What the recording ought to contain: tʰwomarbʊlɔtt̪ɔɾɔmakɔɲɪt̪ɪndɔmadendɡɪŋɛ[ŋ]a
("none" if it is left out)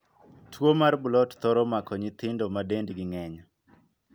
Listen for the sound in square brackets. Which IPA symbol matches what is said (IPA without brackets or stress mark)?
ɲ